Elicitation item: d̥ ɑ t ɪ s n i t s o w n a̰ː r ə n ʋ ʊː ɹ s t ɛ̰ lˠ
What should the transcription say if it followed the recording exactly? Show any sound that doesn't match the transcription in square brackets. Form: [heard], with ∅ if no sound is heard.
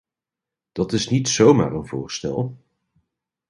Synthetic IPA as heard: d̥ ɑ t ɪ s n i t s o w [m] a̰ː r ə n [v] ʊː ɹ s t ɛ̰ lˠ